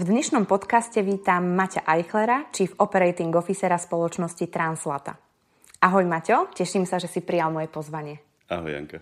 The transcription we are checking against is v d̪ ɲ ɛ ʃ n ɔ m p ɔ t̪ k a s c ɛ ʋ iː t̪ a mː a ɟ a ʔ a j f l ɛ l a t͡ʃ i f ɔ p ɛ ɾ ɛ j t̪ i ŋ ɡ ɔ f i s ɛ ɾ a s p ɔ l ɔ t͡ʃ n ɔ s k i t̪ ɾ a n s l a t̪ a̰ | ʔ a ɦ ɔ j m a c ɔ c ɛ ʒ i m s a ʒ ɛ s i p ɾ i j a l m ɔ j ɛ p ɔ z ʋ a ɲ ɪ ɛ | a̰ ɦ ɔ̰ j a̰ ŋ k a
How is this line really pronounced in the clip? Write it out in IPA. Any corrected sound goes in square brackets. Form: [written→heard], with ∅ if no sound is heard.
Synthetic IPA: v d̪ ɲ ɛ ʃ n ɔ m p ɔ t̪ k a s c ɛ ʋ iː t̪ a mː a [ɟ→c] a ʔ a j [f→x] l ɛ [l→ɾ] a t͡ʃ i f ɔ p ɛ ɾ ɛ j t̪ i ŋ ɡ ɔ f i s ɛ ɾ a s p ɔ l ɔ t͡ʃ n ɔ s [k→c] i t̪ ɾ a n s l a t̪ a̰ | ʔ a ɦ ɔ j m a c ɔ c ɛ [ʒ→ʃ] i m s a ʒ ɛ s i p ɾ i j a l m ɔ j ɛ p ɔ z ʋ a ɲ ɪ ɛ | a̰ ɦ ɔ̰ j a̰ ŋ k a